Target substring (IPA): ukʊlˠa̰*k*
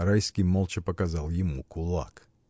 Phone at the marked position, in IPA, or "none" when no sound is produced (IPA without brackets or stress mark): k